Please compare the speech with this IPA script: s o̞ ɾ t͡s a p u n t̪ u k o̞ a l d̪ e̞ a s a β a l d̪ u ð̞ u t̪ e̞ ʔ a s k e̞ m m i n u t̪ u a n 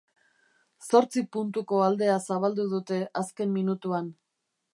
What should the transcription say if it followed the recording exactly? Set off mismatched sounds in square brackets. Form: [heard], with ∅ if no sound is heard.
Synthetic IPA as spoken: s o̞ ɾ t͡s [i] p u n t̪ u k o̞ a l d̪ e̞ a s a β a l d̪ u ð̞ u t̪ e̞ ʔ a s k e̞ m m i n u t̪ u a n